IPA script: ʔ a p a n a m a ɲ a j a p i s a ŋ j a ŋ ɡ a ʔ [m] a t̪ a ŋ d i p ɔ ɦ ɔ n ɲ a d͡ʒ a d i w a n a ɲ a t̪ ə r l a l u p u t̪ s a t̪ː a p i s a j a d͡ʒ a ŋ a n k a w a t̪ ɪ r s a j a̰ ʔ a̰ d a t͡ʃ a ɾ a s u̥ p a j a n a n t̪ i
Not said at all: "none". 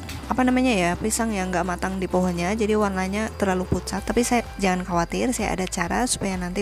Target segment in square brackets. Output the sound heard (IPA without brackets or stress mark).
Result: m